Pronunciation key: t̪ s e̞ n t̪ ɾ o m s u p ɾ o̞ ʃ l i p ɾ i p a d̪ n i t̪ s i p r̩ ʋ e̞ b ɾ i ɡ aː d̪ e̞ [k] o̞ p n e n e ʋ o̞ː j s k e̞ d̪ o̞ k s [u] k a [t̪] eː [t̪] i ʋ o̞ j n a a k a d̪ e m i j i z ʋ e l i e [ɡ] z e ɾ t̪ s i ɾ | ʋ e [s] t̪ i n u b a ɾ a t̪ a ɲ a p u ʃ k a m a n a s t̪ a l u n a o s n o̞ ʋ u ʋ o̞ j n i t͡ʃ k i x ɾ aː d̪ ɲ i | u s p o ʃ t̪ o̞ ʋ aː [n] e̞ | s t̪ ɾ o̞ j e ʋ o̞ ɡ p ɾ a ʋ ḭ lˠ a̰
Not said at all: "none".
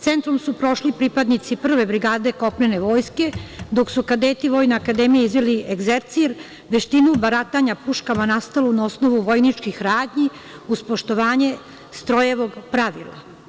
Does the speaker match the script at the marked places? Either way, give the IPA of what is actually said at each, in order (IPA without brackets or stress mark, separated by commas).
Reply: k, u, d̪, t̪, ɡ, ʃ, ɲ